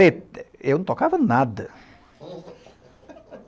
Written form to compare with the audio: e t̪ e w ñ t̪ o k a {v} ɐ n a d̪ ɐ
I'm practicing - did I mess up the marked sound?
no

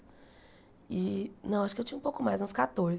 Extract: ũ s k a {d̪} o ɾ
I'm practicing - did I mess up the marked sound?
yes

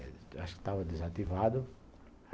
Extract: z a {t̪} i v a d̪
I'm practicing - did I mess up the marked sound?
no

